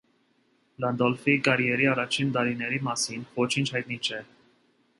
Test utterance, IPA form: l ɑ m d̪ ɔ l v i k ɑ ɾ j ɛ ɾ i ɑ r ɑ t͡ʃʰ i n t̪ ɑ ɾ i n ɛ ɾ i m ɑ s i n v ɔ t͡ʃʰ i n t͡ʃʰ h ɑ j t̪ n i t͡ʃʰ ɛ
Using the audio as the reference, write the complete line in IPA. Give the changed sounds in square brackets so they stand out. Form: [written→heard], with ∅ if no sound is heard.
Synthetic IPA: l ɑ [m→n] d̪ ɔ l [v→f] i k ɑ ɾ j ɛ ɾ i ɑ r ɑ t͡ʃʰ i n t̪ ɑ ɾ i n ɛ ɾ i m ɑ s i n v ɔ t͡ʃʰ i n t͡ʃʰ h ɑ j t̪ n i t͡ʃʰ ɛ